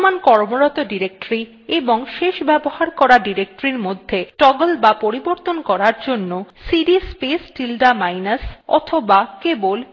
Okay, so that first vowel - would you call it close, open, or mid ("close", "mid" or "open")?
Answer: open